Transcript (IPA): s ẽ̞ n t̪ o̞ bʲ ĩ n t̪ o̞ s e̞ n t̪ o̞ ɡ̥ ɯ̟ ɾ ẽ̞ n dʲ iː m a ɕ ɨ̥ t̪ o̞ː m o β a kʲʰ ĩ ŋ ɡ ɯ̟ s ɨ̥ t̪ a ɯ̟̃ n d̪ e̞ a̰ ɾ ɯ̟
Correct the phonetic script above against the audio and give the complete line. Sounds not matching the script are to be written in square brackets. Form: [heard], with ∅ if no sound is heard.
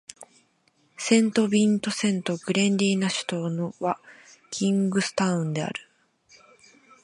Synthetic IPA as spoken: s ẽ̞ n t̪ o̞ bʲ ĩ n t̪ o̞ s [ẽ̞] n t̪ o̞ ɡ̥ ɯ̟ ɾ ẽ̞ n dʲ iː [n] a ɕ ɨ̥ t̪ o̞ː [n] o β a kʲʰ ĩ ŋ ɡ ɯ̟ s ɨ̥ t̪ a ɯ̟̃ n d̪ e̞ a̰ ɾ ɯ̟